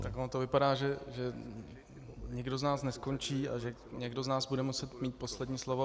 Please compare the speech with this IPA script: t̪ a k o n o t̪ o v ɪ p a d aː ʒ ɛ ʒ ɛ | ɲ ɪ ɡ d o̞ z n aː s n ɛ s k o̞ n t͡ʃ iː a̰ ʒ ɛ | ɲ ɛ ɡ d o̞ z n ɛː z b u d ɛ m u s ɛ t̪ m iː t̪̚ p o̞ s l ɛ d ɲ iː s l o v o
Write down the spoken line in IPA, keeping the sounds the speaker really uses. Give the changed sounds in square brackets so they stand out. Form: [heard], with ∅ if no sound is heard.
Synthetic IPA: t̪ a k o n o t̪ o v ɪ p a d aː ʒ ɛ ʒ ɛ | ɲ ɪ ɡ d o̞ z n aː s n ɛ s k o̞ n t͡ʃ iː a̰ ʒ ɛ | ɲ ɛ ɡ d o̞ z n [aː] z b u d ɛ m u s ɛ t̪ m iː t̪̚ p o̞ s l ɛ d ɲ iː s l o v o